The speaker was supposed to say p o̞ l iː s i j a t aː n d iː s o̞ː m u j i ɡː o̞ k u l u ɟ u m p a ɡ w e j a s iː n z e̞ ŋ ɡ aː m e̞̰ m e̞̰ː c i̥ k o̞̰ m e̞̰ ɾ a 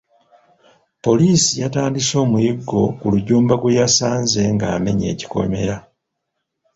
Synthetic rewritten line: p o̞ l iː s i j a t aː n d i s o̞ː m u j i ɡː o̞ k u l u ɟ uː m b a ɡ w e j a s aː n z e̞ ŋ ɡ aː m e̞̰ ɲ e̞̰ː c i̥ k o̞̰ m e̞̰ ɾ a